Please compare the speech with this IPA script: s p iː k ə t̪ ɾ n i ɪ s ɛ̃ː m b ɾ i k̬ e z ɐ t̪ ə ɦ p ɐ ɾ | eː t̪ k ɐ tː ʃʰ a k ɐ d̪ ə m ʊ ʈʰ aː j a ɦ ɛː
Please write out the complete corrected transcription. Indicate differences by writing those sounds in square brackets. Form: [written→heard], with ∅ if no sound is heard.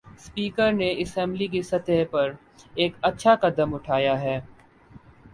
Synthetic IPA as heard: s p iː k ə [t̪→∅] ɾ n [i→e] ɪ s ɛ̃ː m b [ɾ→l] i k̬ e [z→s] ɐ t̪ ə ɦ p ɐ ɾ | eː [t̪→∅] k ɐ tː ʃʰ a k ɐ d̪ ə m ʊ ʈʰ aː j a ɦ ɛː